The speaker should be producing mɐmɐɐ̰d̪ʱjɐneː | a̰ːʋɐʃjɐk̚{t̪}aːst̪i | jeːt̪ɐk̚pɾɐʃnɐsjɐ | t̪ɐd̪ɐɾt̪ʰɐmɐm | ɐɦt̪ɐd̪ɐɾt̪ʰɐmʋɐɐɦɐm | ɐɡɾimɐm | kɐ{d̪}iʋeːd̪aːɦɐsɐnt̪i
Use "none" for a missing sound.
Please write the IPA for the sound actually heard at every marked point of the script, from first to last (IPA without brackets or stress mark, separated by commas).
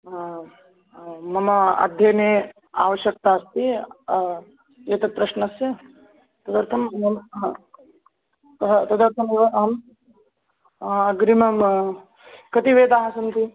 t̪, t̪